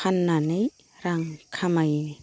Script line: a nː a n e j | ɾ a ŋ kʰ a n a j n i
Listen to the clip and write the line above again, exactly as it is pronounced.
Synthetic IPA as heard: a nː a n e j | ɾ a ŋ kʰ a m a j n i